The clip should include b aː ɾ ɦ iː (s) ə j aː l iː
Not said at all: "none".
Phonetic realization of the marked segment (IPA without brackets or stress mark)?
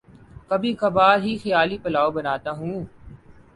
x